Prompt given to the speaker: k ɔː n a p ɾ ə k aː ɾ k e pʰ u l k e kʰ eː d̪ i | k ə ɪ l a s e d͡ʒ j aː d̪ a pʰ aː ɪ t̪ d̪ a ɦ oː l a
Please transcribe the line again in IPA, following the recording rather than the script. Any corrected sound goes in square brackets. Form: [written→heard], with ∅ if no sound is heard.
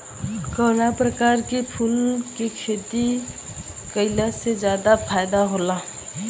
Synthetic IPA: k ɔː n a p ɾ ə k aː ɾ k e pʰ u l k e kʰ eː [d̪→t̪] i | k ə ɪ l a s e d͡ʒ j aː d̪ a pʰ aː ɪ [t̪→∅] d̪ a ɦ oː l a